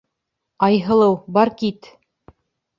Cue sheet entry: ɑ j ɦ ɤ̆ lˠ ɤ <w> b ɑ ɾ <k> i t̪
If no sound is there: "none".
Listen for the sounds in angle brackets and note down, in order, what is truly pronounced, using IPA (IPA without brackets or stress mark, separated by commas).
w, k